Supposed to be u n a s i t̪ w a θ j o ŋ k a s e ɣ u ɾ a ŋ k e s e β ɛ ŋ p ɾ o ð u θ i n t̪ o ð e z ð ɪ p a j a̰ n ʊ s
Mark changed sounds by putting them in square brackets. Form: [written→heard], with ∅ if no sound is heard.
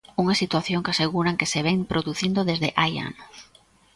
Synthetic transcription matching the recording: u [n→ŋ] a s i t̪ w a θ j o ŋ k a s e ɣ u ɾ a ŋ k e s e β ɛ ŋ p ɾ o ð u θ i n [t̪→d̪] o ð e z ð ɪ [p→ʔ] a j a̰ n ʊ s

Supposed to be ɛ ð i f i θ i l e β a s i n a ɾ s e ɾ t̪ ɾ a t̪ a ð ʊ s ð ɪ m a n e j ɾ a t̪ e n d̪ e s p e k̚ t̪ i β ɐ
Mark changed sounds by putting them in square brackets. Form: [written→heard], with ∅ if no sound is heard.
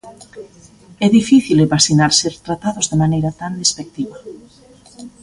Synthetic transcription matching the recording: ɛ ð i f i θ i l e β a s i n a ɾ s e ɾ t̪ ɾ a t̪ a ð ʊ [s→z] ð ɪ m a n e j ɾ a t̪ [e→a] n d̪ e s p e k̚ t̪ i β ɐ

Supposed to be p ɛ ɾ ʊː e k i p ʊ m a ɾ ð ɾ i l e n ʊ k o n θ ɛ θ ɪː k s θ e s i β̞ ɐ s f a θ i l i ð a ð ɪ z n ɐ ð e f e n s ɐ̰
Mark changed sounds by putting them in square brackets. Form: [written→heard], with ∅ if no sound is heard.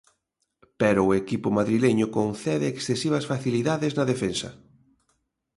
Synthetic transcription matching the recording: p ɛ ɾ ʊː e k i p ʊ m a [ɾ→∅] ð ɾ i l e [n→ɲ] ʊ k o n θ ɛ [θ→ð] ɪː k s θ e s i β̞ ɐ s f a θ i l i ð a ð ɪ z n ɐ ð e f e n s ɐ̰

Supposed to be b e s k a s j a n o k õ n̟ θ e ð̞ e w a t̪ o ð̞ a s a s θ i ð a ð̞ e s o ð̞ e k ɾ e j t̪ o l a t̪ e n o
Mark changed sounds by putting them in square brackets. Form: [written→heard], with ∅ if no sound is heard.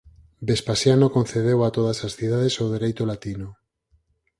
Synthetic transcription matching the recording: b e s [k→p] a s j a n o k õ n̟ θ e ð̞ e w a t̪ o ð̞ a s a s θ i ð a ð̞ e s o ð̞ e [k→∅] ɾ e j t̪ o l a t̪ [e→i] n o

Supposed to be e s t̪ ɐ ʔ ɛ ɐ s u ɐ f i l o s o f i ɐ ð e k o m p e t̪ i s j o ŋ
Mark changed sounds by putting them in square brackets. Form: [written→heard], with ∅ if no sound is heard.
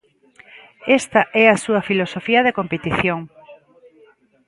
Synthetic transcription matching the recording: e s t̪ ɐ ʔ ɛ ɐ s u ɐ f i l o s o f i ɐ ð e k o m p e t̪ i [s→θ] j o ŋ

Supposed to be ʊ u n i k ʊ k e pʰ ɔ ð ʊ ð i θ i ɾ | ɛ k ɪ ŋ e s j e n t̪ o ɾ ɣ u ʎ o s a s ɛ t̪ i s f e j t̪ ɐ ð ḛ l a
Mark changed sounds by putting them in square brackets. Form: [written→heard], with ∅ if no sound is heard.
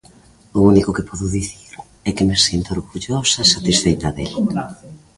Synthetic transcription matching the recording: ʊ u n i k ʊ k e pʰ ɔ ð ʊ ð i θ i ɾ | ɛ k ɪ [ŋ→m] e s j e n t̪ o ɾ ɣ u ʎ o s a s [ɛ→a] t̪ i s f e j t̪ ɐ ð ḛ l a

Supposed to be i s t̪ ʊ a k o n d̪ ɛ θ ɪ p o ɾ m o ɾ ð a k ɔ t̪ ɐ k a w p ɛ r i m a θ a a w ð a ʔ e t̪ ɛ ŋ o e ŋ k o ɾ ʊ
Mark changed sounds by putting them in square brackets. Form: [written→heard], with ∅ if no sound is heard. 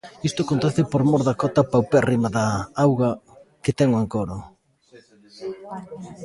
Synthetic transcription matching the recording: i s t̪ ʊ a k o n [d̪→t̪] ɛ θ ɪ p o ɾ m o ɾ ð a k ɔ t̪ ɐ [k→p] a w p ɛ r i m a [θ→ð] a a w [ð→ɣ] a [ʔ→k] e t̪ ɛ ŋ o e ŋ k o ɾ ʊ

